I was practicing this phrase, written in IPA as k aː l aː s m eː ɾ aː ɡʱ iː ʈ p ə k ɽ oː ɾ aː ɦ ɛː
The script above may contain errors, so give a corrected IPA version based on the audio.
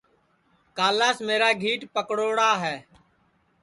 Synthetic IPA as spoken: k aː l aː s m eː ɾ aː ɡʱ iː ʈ p ə k ɽ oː ɽ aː ɦ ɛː